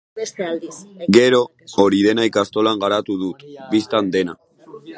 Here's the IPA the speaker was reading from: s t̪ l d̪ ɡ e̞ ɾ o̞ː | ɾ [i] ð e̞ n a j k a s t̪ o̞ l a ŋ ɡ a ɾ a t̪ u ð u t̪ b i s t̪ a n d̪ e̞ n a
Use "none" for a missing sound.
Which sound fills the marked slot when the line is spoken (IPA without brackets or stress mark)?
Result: i